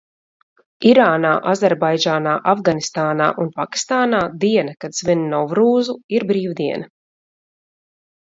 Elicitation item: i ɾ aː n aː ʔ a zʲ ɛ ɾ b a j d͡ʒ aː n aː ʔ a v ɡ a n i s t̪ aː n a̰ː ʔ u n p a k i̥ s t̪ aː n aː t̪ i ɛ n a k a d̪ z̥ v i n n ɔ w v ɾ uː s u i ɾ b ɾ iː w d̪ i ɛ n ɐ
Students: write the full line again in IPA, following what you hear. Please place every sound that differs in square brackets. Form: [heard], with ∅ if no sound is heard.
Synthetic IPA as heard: i ɾ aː n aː ʔ a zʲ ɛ ɾ b a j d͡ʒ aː n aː ʔ a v ɡ a n i s t̪ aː n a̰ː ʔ u n p a k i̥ s t̪ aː n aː [d̪] i ɛ n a k a d̪ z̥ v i n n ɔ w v ɾ uː [z] u i ɾ b ɾ iː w d̪ i ɛ n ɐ